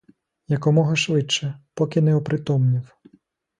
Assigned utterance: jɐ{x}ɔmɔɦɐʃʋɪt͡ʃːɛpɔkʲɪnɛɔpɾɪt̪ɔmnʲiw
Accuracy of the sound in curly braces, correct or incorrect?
incorrect